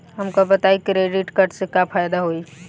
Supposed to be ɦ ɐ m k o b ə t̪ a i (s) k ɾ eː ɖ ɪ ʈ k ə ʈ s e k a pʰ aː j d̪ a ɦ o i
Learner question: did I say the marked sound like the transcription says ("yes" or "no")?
no